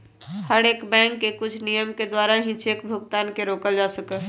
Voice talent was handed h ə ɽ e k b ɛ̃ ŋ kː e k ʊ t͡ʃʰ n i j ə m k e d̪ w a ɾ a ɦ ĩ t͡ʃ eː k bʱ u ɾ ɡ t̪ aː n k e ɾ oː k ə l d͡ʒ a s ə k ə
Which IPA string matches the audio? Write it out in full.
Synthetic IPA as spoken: h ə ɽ e k b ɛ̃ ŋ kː e k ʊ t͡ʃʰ n i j ə m k e d̪ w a ɾ a ɦ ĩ t͡ʃ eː k bʱ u ɡ t̪ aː n k e ɾ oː k ə l d͡ʒ a s ə k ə